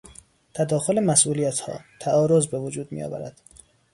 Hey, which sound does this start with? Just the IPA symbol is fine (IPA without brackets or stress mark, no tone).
t̪ʰ